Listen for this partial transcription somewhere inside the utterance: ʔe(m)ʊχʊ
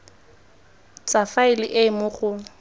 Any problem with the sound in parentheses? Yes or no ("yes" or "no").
no